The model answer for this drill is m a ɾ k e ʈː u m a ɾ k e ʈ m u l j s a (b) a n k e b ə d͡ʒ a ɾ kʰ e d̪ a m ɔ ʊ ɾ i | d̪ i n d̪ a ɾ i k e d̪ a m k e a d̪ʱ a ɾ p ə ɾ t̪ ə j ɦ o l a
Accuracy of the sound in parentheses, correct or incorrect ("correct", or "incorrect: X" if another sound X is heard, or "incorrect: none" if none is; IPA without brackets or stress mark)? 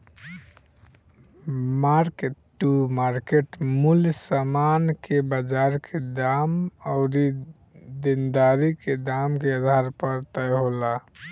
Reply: incorrect: m